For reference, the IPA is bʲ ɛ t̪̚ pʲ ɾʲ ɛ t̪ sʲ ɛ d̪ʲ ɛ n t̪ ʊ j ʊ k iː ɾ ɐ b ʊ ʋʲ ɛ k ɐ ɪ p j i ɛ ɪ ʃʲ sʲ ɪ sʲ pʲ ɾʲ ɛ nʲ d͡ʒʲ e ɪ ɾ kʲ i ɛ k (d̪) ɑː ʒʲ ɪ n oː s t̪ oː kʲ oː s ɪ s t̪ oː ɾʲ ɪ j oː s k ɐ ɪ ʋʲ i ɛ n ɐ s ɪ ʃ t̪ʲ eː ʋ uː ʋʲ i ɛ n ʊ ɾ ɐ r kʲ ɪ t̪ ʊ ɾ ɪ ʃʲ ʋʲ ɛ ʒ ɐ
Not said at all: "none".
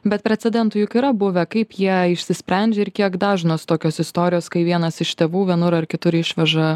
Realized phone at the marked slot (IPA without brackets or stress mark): d̪